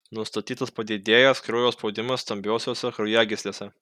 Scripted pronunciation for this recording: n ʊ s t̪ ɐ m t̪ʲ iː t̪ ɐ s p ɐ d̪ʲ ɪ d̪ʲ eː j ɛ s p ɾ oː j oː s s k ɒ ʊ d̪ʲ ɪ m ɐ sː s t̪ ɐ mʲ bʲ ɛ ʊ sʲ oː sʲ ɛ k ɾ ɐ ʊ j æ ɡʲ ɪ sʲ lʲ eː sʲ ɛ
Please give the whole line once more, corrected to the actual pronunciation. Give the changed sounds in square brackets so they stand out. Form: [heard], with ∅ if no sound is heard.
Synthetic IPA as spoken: n ʊ s t̪ ɐ [∅] t̪ʲ iː t̪ ɐ s p ɐ d̪ʲ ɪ d̪ʲ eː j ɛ s [k] ɾ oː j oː s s [p] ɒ ʊ d̪ʲ ɪ m ɐ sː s t̪ ɐ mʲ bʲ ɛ ʊ sʲ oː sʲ ɛ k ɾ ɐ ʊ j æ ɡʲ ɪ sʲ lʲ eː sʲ ɛ